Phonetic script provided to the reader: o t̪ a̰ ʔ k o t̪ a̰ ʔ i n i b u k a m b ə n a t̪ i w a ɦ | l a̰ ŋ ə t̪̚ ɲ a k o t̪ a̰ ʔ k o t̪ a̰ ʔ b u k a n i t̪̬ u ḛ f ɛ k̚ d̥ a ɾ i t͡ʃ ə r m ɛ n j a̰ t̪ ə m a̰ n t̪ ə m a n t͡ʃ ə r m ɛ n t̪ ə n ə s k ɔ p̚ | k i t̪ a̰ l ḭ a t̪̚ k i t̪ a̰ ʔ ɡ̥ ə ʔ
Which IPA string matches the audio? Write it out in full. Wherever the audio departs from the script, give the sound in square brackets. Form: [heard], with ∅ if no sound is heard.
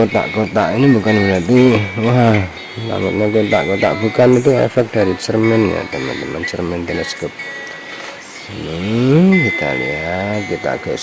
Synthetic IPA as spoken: o t̪ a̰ ʔ k o t̪ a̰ ʔ i n i b u k a [n] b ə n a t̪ i w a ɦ | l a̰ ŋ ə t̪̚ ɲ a k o t̪ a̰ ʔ k o t̪ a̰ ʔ b u k a n i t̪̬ u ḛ f ɛ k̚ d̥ a ɾ i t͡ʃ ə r m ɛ n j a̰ t̪ ə m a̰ n t̪ ə m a n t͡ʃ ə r m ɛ n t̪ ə n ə s k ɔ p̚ | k i t̪ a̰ l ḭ a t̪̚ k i t̪ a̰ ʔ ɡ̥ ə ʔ

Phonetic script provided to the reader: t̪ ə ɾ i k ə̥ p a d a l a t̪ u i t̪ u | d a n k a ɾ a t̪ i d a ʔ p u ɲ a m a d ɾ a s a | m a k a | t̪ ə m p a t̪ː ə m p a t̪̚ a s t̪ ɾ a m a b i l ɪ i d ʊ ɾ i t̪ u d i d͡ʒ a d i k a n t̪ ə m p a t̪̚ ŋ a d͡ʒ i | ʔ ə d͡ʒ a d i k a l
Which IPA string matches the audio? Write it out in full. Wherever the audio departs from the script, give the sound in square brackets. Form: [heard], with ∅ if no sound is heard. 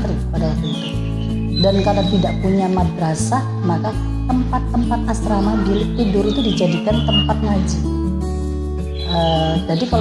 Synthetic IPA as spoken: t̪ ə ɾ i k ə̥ p a d a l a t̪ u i t̪ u | d a n k a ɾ a t̪ i d a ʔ p u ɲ a m a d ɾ a s a | m a k a | t̪ ə m p a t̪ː ə m p a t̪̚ a s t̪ ɾ a m a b i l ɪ i d ʊ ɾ i t̪ u d i d͡ʒ a d i k a n t̪ ə m p a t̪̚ ŋ a d͡ʒ i | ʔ ə d͡ʒ a d i k a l

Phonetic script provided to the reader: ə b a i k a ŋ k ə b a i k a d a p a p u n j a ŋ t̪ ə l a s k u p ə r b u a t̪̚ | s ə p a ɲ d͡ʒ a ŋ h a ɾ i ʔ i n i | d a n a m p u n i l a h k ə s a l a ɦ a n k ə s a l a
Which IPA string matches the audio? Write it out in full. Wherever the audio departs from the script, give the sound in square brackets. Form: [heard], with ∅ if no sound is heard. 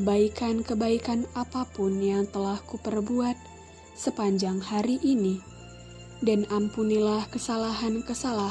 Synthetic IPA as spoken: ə b a i k a [n] k ə b a i k a [n] a p a p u n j a ŋ t̪ ə l a [h] k u p ə r b u a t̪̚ | s ə p a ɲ d͡ʒ a ŋ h a ɾ i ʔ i n i | d a n a m p u n i l a h k ə s a l a ɦ a n k ə s a l a

